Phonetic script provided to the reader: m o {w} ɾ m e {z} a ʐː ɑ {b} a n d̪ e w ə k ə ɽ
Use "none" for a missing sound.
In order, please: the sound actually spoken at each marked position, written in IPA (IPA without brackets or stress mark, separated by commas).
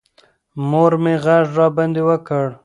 none, ɣ, b